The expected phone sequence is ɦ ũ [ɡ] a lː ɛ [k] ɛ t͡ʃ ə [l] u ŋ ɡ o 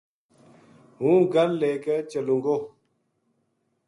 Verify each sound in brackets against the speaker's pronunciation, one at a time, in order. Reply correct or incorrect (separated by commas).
correct, correct, correct